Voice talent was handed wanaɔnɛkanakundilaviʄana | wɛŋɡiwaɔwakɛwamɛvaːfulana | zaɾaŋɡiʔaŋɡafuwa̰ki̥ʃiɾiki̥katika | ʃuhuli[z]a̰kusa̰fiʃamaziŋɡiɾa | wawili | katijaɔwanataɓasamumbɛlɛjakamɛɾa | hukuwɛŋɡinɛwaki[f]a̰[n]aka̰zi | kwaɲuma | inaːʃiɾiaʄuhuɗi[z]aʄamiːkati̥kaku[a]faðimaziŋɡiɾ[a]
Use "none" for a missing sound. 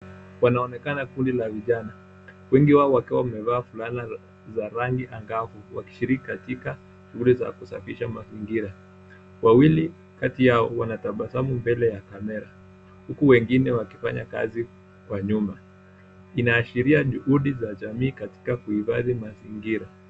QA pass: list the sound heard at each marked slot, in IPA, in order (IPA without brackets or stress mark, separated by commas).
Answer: z, f, ɲ, z, i, a